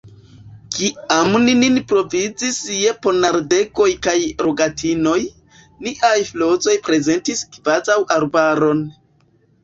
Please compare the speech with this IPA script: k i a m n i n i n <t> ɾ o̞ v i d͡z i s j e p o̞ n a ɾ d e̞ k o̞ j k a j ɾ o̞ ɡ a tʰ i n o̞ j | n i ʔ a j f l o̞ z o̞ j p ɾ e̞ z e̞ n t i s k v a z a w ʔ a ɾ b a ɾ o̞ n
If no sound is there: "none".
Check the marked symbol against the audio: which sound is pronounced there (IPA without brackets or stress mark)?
p